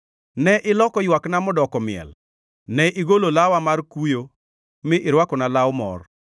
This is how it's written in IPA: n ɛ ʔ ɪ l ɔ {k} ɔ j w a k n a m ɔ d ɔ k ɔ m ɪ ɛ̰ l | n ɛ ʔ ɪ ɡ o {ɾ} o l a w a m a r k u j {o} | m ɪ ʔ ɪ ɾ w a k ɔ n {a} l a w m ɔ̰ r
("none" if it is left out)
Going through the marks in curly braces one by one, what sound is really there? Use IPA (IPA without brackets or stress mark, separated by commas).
k, l, o, a